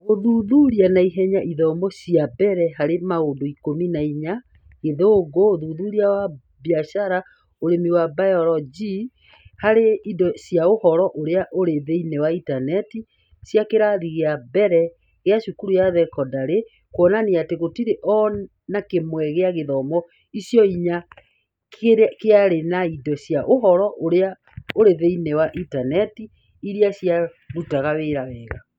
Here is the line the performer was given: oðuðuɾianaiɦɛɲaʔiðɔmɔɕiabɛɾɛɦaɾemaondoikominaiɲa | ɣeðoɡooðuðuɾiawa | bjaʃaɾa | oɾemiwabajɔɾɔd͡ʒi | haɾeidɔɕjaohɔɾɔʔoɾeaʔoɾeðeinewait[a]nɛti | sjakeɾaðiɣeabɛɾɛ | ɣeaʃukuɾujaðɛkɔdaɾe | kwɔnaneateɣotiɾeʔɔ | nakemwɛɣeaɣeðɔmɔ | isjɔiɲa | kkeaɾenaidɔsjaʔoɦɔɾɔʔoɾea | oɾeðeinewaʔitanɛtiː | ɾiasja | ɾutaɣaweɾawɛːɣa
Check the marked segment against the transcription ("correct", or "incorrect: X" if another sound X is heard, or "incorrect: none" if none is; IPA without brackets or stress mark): correct